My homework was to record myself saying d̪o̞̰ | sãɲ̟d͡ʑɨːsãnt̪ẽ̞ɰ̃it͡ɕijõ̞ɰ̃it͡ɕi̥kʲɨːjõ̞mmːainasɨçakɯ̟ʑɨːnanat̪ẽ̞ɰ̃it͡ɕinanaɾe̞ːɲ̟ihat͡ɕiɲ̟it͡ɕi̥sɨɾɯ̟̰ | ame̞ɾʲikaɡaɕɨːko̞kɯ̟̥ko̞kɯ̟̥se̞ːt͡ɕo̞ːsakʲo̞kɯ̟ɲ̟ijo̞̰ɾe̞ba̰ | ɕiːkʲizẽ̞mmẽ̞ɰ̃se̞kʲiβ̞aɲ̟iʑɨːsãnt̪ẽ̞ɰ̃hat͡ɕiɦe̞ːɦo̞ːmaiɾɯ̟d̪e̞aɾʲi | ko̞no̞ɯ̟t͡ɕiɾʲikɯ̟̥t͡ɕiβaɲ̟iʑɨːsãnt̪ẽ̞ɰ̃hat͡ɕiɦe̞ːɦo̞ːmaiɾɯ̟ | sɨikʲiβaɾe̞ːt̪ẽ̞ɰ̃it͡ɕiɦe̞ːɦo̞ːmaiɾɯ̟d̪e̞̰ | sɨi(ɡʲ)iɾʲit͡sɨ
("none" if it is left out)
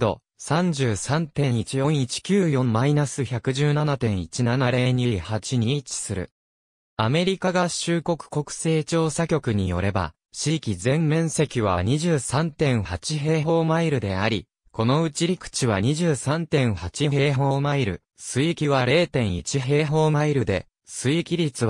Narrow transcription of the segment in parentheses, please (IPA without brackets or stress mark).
kʲ